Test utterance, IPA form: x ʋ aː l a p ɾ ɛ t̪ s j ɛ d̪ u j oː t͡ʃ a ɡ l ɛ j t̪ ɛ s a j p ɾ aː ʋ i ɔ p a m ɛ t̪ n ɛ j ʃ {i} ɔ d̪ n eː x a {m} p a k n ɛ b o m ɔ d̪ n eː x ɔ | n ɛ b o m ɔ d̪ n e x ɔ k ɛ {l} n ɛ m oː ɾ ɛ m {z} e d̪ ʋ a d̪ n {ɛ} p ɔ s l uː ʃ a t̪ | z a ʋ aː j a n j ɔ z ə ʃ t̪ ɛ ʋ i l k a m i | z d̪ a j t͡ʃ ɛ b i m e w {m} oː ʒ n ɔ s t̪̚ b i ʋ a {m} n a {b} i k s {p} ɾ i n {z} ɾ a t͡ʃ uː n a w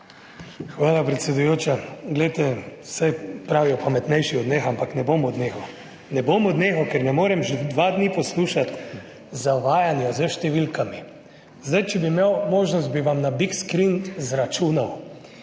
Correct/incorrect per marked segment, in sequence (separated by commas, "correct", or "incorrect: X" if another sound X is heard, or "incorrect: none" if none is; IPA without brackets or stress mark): correct, correct, incorrect: ɾ, incorrect: ʒ, incorrect: i, correct, correct, correct, incorrect: k, correct